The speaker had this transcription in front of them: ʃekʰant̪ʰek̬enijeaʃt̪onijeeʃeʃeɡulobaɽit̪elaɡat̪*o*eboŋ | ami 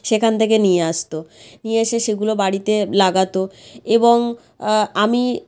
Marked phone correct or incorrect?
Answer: correct